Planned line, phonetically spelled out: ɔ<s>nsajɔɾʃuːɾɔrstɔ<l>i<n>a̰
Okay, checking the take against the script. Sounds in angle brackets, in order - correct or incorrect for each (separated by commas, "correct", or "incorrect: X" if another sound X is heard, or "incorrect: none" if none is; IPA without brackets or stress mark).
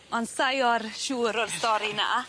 incorrect: none, incorrect: ɾ, correct